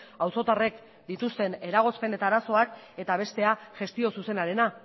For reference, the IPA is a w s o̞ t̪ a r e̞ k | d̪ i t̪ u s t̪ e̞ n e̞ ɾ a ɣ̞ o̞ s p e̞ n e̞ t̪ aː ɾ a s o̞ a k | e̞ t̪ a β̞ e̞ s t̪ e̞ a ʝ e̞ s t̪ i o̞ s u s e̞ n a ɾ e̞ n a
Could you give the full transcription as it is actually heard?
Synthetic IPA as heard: a w s o̞ t̪ a r e̞ k | d̪ i t̪ u s t̪ e̞ n e̞ ɾ a ɣ̞ o̞ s p e̞ n e̞ t̪ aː ɾ a s o̞ a k | e̞ t̪ a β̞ e̞ s t̪ e̞ a ʝ e̞ s t̪ i o̞ s u s e̞ n a ɾ e̞ n a